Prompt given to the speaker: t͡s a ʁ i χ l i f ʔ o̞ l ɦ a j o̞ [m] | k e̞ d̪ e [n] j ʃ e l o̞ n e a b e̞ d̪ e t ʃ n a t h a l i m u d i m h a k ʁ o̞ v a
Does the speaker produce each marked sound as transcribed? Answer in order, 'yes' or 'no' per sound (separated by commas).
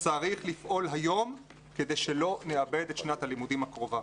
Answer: yes, no